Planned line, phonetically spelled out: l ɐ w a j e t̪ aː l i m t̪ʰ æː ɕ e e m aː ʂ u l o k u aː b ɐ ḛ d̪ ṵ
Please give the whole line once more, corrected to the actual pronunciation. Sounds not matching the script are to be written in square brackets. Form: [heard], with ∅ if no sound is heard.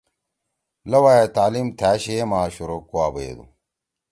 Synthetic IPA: l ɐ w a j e t̪ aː l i m t̪ʰ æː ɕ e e m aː [ɕ] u [ɾ] o k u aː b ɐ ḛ d̪ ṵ